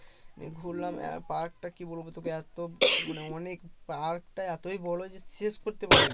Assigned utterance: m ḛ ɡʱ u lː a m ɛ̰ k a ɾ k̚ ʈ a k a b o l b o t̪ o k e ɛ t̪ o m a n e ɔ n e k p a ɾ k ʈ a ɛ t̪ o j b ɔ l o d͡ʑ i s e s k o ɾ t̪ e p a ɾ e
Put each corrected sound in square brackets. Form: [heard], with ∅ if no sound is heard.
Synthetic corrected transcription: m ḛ ɡʱ u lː a m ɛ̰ [p] a ɾ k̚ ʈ a k [i] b o l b o t̪ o k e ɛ t̪ o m a n e ɔ n e k p a ɾ k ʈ a ɛ t̪ o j b ɔ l o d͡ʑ [e] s e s k o ɾ t̪ e p a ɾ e